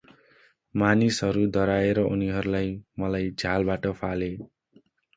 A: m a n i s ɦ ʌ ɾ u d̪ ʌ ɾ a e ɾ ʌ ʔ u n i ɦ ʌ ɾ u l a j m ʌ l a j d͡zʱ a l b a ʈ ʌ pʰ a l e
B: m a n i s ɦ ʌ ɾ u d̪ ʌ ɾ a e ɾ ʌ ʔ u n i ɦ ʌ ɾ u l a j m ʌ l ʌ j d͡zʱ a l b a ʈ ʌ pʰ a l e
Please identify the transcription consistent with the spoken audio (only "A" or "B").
A